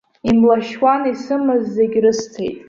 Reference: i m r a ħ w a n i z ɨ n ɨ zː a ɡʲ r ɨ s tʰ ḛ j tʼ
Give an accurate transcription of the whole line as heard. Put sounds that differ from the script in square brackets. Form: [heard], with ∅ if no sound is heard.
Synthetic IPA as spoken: i m [l] a [ʃ] w a n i [s] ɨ [m] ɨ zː [e] ɡʲ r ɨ s tʰ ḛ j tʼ